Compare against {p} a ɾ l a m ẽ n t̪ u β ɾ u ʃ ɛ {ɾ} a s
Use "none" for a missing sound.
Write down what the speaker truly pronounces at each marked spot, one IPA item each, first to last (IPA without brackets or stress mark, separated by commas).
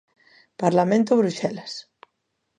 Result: p, l